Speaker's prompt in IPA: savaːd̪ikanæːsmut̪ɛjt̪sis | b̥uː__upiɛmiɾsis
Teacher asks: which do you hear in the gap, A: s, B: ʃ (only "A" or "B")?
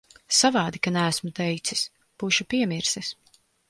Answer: B